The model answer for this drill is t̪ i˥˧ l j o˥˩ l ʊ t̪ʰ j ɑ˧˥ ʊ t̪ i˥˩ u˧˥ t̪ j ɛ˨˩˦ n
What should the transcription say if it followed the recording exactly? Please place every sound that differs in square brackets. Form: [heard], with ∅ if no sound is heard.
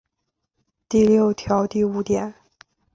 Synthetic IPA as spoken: t̪ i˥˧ l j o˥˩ [∅] ʊ t̪ʰ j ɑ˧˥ ʊ t̪ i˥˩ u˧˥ t̪ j ɛ˨˩˦ n